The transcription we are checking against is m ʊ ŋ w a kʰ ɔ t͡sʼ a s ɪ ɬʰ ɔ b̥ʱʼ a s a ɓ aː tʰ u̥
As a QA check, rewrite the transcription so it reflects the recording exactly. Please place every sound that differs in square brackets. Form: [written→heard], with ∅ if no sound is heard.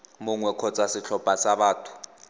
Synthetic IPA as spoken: m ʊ ŋ w [a→ɛ] kʰ ɔ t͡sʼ a s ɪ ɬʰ ɔ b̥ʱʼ a s a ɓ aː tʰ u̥

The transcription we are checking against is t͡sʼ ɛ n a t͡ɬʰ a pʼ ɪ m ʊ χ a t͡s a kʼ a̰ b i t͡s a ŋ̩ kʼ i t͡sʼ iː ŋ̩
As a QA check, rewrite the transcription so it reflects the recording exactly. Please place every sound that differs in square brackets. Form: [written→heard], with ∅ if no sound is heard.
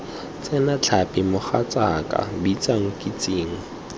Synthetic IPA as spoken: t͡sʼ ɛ n a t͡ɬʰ a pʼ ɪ m ʊ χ a t͡s a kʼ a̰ b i t͡s a ŋ̩ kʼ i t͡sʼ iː ŋ̩

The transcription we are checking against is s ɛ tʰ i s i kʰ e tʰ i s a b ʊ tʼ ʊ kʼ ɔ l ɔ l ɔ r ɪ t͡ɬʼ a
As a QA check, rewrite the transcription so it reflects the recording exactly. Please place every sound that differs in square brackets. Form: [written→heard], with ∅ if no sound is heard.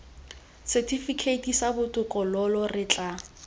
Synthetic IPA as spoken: s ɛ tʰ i [s→f] i kʰ e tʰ i s a b ʊ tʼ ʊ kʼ ɔ l ɔ l ɔ r ɪ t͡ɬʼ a

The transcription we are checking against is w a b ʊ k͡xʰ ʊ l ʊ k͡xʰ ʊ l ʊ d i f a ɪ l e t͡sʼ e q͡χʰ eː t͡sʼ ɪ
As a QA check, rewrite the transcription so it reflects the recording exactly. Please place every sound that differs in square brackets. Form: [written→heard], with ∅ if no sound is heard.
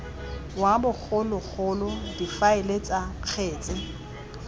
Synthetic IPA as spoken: w a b ʊ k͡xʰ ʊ l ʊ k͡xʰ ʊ l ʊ d i f a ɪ l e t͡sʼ [e→a] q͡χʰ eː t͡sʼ ɪ

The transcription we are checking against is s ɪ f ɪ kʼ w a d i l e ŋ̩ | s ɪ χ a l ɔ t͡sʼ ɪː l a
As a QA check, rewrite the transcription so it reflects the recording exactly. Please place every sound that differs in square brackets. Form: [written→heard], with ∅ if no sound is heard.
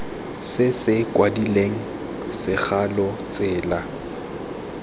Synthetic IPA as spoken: s ɪ [f→s] ɪ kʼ w a d i l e ŋ̩ | s ɪ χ a l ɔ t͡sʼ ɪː l a

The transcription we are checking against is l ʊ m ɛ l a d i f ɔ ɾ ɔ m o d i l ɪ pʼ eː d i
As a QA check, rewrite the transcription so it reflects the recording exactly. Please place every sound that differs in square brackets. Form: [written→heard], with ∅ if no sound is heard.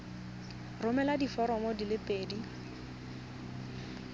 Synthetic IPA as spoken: [l→r] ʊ m ɛ l a d i f ɔ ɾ ɔ m [o→ɔ] d i l ɪ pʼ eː d i

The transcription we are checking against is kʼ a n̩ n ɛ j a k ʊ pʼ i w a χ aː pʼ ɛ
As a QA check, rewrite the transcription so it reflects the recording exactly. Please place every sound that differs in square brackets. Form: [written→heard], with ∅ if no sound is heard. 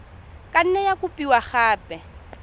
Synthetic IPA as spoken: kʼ a n̩ n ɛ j a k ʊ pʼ i w a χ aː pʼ ɛ

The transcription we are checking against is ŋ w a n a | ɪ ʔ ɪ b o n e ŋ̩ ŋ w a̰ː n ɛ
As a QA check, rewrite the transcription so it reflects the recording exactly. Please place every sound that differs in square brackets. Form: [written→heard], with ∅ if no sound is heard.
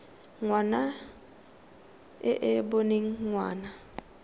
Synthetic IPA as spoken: ŋ w a n a | ɪ ʔ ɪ b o n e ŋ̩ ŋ w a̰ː n [ɛ→a]

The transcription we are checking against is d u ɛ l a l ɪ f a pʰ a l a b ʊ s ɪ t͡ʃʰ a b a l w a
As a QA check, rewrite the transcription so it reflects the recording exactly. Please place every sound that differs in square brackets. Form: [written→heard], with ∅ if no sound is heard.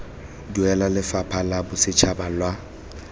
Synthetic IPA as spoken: d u ɛ l a l ɪ f a pʰ a l a b ʊ s ɪ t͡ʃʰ a b a l w a

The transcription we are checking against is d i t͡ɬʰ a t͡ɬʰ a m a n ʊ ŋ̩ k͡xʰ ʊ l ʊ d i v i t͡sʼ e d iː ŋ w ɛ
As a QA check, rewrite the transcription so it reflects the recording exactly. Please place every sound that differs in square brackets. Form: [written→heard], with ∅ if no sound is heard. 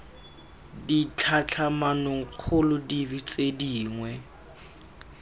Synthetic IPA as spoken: d i t͡ɬʰ a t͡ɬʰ a m a n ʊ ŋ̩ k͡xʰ ʊ l ʊ d i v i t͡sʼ e d iː ŋ w ɛ

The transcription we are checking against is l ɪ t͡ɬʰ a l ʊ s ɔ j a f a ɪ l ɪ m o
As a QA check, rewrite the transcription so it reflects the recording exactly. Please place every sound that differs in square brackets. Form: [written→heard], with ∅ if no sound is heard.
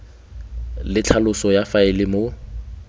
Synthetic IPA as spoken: l ɪ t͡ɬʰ a l ʊ s ɔ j a f a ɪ l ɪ m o

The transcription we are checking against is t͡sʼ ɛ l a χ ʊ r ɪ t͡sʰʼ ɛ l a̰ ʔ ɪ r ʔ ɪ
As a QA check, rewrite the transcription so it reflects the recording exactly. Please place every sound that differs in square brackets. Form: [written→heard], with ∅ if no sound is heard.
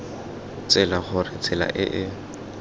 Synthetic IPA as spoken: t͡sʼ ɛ l a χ ʊ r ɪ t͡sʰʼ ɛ l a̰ ʔ ɪ [r→∅] ʔ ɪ

